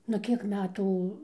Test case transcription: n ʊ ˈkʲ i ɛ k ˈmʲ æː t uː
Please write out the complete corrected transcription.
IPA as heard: n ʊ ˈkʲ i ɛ k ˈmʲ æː t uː